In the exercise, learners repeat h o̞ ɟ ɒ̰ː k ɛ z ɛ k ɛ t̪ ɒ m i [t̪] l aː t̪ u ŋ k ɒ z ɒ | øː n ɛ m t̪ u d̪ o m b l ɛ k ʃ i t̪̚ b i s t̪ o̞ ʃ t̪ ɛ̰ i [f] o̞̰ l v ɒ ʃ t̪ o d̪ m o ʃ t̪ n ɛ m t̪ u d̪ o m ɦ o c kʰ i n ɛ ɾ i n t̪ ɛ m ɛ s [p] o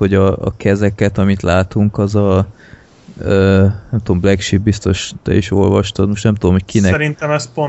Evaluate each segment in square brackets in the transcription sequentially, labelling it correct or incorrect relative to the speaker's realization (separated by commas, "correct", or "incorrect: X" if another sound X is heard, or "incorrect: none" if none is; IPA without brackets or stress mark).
correct, incorrect: ʃ, correct